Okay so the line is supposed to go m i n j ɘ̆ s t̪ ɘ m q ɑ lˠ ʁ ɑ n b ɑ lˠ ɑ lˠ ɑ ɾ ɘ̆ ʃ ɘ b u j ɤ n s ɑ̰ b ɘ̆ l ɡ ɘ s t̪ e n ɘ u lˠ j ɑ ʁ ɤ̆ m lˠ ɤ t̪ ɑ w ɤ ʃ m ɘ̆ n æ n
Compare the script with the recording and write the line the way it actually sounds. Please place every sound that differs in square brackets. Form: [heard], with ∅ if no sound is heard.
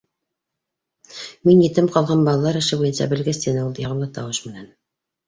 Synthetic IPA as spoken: m i n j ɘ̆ [∅] t̪ ɘ m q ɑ lˠ ʁ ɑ n b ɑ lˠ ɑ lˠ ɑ ɾ ɘ̆ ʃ ɘ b u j ɤ n s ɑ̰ b ɘ̆ l ɡ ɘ s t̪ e n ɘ u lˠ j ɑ ʁ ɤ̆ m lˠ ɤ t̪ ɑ w ɤ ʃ m ɘ̆ n æ n